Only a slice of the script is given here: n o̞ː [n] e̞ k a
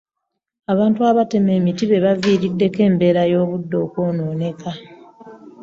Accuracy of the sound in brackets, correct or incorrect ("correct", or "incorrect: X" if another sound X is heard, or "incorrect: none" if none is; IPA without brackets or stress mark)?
correct